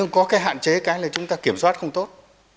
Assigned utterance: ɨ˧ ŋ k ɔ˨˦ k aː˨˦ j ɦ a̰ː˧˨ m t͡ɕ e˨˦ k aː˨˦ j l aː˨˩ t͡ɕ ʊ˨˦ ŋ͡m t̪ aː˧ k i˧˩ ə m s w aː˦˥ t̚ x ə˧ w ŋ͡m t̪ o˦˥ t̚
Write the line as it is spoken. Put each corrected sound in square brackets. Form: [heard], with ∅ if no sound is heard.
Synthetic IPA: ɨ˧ ŋ k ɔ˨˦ k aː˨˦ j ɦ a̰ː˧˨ [n] t͡ɕ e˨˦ k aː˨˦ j l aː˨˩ t͡ɕ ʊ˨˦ ŋ͡m t̪ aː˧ k i˧˩ ə m s w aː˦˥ t̚ x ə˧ w ŋ͡m t̪ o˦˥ t̚